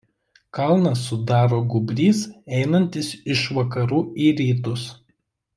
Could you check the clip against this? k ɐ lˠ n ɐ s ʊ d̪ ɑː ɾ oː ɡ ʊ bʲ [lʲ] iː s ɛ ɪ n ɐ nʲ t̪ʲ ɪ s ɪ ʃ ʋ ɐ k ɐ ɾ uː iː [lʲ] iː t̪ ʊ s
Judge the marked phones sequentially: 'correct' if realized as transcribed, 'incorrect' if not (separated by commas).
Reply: incorrect, incorrect